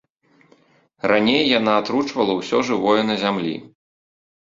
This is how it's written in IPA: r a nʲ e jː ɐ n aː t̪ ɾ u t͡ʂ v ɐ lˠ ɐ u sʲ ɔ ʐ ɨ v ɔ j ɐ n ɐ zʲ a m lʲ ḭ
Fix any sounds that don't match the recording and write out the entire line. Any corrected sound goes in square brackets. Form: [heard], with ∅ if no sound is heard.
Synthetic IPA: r a nʲ e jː [a] n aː t̪ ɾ u t͡ʂ v ɐ lˠ ɐ [w] sʲ ɔ ʐ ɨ v ɔ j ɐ n ɐ zʲ a m lʲ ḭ